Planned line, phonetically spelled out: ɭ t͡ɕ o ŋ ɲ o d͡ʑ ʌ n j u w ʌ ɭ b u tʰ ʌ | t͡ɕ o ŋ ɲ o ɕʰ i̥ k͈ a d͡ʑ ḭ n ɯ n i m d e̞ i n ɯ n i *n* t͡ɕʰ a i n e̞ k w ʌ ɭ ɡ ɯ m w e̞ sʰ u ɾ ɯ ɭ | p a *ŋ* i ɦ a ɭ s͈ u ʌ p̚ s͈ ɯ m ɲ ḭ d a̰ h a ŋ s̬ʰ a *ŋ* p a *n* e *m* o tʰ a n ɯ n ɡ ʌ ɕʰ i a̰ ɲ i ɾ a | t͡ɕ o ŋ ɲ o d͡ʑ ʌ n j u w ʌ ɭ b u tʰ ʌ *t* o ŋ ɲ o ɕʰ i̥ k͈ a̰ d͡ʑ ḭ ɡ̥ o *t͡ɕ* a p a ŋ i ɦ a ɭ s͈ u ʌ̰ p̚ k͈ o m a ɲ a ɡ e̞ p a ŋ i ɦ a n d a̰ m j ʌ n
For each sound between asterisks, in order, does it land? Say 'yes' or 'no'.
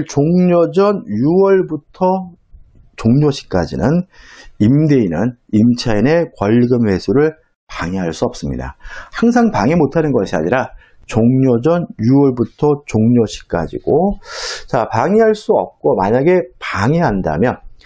no, yes, yes, no, yes, no, yes

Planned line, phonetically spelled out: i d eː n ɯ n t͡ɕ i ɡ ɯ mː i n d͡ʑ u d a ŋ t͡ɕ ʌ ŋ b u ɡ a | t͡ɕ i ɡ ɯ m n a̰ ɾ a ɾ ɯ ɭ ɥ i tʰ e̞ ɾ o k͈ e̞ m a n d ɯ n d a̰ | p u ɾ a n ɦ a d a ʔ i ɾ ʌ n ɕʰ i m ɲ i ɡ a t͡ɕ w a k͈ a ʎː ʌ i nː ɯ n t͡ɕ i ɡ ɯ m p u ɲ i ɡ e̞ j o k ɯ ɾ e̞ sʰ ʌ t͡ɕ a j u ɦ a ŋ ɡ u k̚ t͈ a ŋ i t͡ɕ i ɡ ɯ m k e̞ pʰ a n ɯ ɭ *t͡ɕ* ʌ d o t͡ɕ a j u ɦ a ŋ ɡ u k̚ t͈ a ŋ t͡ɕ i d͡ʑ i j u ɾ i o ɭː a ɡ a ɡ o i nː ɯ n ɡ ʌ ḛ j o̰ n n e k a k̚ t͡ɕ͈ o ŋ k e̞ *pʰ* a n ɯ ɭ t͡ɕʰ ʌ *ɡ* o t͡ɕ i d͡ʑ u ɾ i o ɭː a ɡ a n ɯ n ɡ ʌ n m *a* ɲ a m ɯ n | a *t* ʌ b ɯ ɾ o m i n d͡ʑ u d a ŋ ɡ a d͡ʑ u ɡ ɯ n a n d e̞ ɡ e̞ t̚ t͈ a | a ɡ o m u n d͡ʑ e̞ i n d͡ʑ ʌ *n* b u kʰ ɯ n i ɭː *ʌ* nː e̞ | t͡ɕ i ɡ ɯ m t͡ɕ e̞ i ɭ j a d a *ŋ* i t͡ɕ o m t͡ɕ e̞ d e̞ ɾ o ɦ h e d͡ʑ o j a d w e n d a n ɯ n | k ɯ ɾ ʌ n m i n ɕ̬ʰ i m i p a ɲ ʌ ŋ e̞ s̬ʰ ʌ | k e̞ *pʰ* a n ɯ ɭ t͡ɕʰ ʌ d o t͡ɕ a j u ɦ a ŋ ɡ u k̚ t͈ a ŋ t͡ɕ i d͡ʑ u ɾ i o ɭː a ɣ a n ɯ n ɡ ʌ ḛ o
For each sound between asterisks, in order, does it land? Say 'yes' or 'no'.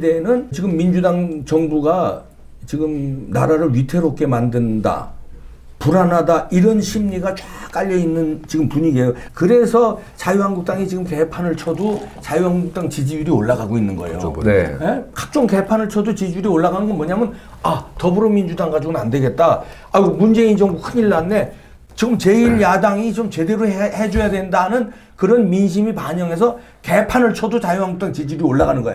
no, yes, no, no, yes, no, no, yes, yes

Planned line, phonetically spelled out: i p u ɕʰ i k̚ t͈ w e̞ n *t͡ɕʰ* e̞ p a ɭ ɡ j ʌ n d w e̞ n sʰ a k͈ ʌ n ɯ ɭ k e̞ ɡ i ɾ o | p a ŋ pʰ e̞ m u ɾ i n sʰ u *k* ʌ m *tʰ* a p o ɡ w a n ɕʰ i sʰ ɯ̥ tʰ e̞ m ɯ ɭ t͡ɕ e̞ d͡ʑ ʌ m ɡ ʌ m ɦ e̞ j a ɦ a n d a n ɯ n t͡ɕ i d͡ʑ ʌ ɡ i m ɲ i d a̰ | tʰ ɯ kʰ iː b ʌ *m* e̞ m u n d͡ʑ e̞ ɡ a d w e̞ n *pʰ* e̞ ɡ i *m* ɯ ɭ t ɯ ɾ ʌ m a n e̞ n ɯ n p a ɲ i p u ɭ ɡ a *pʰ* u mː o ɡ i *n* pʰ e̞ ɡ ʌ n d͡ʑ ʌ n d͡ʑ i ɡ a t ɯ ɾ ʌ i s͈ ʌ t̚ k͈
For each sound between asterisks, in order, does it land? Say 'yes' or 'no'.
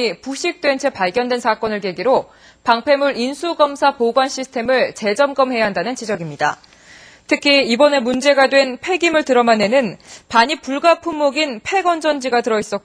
yes, no, no, no, yes, yes, yes, yes

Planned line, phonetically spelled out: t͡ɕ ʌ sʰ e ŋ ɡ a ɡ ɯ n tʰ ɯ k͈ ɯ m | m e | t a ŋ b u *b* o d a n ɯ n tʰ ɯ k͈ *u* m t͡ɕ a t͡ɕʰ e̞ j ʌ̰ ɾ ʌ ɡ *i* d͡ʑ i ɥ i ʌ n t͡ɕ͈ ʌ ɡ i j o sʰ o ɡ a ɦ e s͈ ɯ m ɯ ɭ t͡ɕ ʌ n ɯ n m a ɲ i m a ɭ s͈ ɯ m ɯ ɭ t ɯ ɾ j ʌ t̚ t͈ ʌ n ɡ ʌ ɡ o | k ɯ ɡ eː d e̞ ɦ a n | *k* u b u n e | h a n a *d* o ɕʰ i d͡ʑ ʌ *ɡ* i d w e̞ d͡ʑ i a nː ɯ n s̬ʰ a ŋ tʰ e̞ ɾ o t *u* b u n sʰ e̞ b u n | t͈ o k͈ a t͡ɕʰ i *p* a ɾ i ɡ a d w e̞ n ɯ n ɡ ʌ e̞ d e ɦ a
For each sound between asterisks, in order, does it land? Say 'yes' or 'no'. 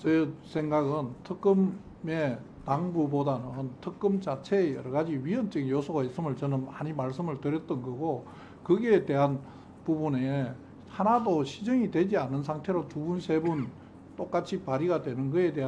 yes, no, no, no, yes, no, yes, yes

